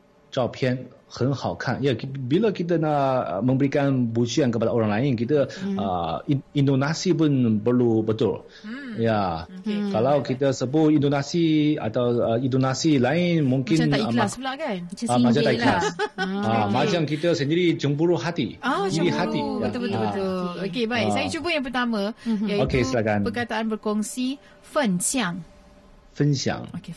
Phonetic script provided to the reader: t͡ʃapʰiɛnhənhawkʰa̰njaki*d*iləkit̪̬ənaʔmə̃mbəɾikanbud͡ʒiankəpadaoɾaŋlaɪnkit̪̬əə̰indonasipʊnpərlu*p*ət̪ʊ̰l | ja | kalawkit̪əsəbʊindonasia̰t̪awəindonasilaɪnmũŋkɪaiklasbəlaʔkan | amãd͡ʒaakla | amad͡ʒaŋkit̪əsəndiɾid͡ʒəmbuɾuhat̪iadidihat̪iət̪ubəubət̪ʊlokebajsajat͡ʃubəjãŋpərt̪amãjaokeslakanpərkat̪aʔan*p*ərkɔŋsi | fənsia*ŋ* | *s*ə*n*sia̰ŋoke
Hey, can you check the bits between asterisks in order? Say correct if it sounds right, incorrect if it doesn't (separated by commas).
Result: incorrect, incorrect, incorrect, correct, incorrect, correct